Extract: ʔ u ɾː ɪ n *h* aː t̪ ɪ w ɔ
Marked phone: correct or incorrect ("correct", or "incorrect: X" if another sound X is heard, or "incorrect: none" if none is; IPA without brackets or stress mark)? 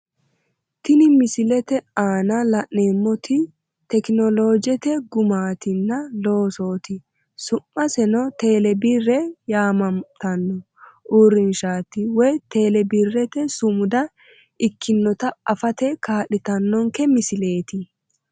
incorrect: ʃ